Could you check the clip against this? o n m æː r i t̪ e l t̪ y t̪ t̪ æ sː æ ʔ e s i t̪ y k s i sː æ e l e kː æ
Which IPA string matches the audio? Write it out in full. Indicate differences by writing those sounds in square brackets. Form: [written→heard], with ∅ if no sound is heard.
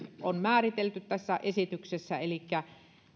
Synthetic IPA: o n m æː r i t̪ e l t̪ y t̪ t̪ æ sː æ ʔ e s i t̪ y k s [i→e] sː æ e l [e→i] kː æ